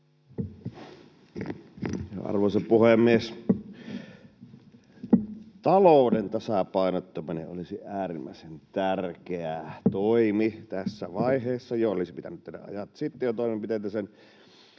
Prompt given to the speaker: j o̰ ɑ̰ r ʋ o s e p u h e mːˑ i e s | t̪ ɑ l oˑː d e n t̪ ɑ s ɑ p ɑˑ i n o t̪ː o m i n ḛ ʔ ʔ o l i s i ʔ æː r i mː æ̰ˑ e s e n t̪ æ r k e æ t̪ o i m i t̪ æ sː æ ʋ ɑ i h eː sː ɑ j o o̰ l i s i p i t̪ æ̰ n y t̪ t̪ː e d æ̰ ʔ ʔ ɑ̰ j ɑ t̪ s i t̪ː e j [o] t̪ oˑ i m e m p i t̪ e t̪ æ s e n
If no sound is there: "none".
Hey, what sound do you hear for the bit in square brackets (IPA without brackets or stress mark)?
o